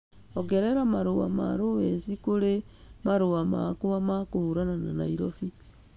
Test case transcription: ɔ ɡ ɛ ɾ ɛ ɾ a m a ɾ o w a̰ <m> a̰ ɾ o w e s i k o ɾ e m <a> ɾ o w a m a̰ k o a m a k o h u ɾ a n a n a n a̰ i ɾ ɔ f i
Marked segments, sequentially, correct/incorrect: correct, correct

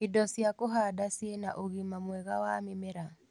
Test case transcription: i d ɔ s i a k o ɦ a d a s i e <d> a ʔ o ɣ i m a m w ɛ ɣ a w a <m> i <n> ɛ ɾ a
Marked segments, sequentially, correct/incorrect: incorrect, correct, incorrect

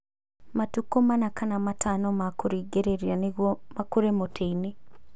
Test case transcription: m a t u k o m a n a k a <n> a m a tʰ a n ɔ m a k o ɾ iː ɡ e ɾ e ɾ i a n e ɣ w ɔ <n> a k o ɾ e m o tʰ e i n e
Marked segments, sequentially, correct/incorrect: correct, incorrect

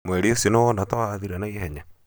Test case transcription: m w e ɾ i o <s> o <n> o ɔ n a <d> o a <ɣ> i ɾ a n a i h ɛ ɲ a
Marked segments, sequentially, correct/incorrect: correct, correct, incorrect, incorrect

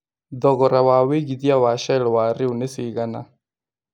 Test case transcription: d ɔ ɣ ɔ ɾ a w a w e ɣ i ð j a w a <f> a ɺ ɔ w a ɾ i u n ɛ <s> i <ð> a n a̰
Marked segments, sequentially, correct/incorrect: incorrect, correct, incorrect

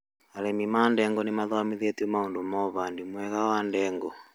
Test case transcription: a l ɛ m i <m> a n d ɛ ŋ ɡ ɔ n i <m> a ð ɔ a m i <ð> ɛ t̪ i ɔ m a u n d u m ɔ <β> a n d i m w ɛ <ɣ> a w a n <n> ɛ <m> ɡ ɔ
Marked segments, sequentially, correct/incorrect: correct, correct, correct, correct, correct, incorrect, incorrect

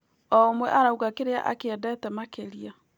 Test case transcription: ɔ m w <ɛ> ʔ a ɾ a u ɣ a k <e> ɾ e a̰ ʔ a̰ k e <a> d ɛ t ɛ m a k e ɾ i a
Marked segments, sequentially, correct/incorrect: correct, correct, incorrect

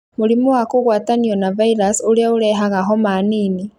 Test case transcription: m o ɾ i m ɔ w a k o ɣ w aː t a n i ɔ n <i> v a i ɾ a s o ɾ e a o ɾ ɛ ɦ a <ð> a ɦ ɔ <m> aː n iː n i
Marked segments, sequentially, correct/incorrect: incorrect, incorrect, correct

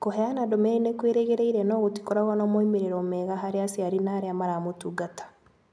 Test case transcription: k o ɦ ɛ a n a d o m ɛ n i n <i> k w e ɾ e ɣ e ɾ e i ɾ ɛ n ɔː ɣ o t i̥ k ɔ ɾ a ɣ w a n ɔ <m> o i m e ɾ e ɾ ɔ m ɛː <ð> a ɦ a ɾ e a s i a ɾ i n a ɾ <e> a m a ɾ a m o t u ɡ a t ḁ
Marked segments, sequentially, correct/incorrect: incorrect, correct, incorrect, correct

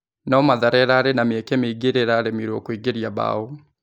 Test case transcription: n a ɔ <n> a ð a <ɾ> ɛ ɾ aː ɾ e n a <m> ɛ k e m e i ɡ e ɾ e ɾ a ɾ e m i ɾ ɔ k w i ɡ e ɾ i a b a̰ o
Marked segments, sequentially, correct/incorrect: incorrect, correct, correct

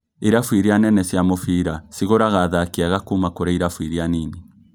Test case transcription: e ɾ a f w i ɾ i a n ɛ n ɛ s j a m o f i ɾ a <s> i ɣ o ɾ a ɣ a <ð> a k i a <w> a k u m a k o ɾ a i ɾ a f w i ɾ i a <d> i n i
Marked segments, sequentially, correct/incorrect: correct, correct, incorrect, incorrect

